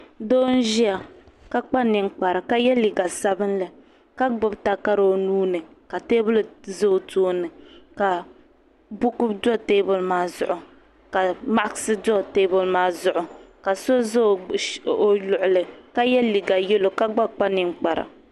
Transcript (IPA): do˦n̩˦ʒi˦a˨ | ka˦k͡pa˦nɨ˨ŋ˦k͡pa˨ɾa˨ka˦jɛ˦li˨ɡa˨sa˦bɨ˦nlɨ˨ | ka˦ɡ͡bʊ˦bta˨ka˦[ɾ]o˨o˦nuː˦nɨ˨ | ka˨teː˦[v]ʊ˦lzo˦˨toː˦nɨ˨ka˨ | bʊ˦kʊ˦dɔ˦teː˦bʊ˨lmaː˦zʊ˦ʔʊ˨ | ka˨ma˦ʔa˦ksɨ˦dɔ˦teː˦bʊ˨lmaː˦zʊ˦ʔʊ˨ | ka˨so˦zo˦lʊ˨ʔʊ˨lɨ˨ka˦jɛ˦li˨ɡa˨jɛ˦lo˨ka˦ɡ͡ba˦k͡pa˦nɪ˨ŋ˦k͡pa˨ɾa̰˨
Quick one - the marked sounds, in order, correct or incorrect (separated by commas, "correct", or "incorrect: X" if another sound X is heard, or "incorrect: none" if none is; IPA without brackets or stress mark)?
correct, incorrect: b